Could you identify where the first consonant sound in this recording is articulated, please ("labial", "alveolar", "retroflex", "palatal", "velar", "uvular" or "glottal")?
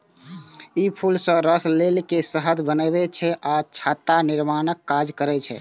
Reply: labial